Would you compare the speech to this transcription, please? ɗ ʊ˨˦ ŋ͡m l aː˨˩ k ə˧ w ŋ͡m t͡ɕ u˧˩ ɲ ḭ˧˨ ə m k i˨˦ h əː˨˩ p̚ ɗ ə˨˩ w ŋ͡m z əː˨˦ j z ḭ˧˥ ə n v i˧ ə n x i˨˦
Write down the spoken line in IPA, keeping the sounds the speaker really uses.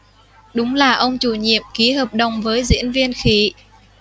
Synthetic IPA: ɗ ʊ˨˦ ŋ͡m l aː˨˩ ʔ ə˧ w ŋ͡m t͡ɕ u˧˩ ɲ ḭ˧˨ ə m k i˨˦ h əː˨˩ p̚ ɗ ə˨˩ w ŋ͡m v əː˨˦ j z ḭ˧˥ ə n v i˧ ə n x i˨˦